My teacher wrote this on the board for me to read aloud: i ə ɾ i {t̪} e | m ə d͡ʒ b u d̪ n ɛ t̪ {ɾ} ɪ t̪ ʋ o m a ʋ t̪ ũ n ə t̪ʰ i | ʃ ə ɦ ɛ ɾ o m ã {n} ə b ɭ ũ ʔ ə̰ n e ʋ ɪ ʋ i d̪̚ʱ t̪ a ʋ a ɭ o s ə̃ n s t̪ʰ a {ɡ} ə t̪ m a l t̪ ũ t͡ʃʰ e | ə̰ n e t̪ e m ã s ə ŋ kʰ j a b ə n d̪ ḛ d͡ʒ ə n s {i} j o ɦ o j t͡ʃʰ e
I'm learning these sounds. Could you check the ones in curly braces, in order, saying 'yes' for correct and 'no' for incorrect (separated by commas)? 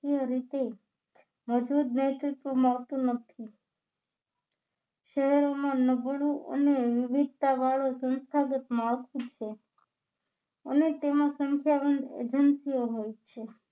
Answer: yes, yes, yes, yes, yes